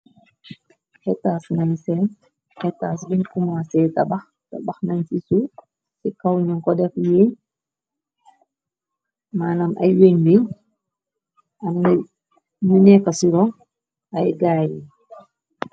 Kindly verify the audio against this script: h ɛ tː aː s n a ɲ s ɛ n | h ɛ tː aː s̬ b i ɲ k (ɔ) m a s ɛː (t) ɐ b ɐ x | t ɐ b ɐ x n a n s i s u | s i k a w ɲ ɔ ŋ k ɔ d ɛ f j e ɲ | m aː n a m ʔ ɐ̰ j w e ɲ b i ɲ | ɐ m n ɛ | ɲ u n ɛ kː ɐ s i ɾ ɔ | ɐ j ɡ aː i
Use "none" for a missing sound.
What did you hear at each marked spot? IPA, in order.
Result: u, t

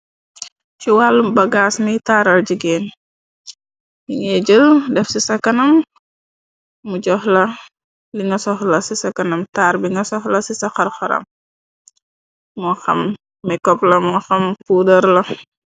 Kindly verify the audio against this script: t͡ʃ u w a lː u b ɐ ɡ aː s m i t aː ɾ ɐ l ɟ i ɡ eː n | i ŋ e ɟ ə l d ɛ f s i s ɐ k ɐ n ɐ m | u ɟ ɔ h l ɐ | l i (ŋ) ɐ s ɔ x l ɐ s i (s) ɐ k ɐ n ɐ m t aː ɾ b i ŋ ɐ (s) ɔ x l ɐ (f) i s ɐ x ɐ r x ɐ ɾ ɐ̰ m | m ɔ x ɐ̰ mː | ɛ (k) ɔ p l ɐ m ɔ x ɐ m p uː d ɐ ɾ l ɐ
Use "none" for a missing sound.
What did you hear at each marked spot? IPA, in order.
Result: ŋ, s, s, s, k

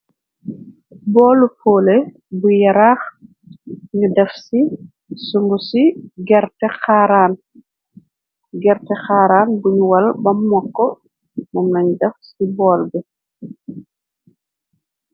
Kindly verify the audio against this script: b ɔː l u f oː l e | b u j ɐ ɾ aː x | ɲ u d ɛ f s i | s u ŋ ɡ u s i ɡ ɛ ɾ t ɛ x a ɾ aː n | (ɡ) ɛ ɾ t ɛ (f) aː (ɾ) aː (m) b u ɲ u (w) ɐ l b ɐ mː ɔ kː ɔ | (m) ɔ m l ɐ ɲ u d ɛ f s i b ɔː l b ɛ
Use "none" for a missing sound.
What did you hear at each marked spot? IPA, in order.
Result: ɡ, x, ɾ, n, w, m

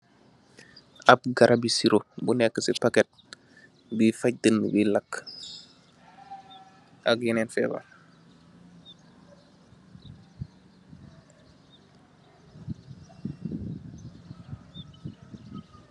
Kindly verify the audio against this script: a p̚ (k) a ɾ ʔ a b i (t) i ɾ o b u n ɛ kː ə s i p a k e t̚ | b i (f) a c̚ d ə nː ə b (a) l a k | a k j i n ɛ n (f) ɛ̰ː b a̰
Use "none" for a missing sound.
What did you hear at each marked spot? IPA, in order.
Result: ɡ, s, f, i, f

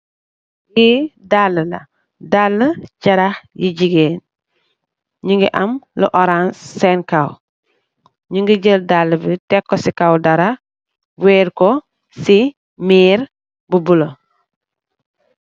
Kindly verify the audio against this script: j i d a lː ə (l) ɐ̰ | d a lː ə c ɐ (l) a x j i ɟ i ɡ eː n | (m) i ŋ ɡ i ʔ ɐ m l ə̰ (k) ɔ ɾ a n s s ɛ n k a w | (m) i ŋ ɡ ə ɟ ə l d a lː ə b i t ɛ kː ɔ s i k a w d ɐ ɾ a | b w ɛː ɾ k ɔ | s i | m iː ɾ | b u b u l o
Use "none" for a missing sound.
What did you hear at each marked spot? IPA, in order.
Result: l, ɾ, ɲ, ʔ, ɲ

